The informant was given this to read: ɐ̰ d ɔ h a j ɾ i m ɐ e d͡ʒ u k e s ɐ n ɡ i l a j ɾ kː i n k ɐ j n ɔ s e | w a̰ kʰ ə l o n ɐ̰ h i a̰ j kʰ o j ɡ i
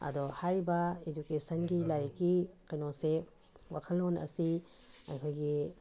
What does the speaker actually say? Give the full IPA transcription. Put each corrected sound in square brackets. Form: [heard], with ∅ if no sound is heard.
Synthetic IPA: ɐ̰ d ɔ h a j ɾ i [b] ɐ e d͡ʒ u k e s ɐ n ɡ i l a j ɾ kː i [∅] k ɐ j n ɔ s e | w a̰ kʰ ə l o n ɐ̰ [s] i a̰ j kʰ o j ɡ i